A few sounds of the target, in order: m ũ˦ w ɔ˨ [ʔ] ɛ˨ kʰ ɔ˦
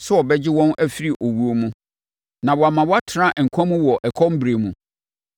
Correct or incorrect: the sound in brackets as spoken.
correct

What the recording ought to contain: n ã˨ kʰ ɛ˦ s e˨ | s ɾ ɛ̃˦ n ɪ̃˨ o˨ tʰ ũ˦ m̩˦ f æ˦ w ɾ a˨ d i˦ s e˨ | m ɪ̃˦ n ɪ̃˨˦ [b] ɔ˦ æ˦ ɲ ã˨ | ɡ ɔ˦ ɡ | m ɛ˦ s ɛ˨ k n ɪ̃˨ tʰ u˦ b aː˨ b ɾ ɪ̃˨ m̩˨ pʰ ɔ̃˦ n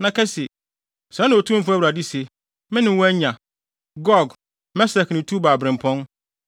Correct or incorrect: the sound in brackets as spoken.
incorrect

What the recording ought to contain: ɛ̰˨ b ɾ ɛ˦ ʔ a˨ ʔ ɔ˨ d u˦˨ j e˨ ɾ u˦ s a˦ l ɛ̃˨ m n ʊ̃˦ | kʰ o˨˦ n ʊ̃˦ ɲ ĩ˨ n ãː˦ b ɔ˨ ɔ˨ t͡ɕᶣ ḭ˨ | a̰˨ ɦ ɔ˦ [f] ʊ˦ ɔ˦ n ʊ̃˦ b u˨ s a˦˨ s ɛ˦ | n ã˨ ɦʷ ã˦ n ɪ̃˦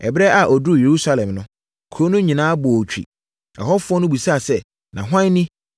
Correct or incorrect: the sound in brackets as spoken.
correct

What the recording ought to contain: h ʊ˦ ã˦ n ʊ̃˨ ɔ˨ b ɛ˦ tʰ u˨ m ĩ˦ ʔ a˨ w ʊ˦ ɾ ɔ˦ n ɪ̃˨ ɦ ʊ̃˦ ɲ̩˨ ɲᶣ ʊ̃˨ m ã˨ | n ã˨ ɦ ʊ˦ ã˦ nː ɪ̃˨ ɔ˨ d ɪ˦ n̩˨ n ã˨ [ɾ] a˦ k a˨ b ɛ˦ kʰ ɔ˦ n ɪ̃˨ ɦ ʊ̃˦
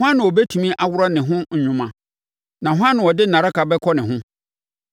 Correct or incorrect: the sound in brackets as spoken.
correct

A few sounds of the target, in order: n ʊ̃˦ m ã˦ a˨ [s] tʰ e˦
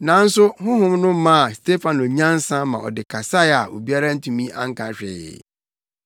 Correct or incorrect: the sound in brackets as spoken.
correct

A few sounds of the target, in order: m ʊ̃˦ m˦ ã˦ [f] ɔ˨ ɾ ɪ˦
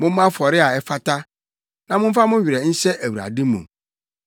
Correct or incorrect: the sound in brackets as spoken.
correct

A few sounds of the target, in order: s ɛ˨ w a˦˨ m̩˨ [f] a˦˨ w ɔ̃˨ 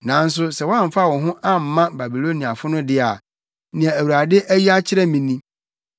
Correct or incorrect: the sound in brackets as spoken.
correct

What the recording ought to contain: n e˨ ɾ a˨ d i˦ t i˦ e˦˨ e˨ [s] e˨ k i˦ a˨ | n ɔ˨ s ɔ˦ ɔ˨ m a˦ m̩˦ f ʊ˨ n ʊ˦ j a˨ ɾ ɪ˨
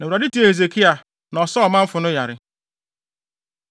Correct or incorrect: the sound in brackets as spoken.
incorrect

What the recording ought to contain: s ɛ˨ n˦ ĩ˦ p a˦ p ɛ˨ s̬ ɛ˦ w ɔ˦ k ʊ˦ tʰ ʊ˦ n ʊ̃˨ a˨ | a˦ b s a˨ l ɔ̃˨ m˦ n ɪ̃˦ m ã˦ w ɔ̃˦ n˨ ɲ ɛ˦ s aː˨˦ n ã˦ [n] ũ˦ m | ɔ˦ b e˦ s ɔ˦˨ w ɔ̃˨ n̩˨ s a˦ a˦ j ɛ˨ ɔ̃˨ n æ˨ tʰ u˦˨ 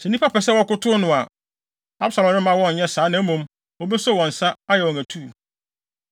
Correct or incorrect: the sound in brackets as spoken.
incorrect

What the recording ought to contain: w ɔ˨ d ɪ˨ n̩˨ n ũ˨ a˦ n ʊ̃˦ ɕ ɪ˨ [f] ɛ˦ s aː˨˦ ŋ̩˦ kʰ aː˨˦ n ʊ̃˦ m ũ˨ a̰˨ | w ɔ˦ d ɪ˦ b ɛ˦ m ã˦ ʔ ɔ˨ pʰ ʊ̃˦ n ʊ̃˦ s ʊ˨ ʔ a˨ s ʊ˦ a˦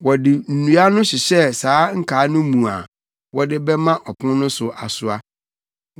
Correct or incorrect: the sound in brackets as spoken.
incorrect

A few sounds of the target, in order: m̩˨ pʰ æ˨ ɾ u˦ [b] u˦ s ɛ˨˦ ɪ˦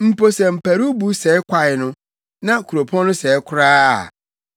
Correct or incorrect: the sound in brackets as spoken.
correct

